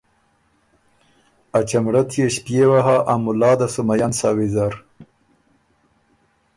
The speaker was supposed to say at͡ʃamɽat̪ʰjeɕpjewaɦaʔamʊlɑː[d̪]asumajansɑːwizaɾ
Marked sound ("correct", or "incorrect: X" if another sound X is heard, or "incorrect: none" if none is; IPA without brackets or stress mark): correct